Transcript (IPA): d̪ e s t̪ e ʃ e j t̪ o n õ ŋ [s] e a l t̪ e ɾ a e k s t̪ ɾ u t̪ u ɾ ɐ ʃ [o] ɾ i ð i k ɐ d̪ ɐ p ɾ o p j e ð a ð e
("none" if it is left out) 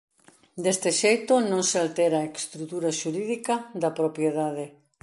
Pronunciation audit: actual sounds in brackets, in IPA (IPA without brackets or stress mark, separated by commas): s, u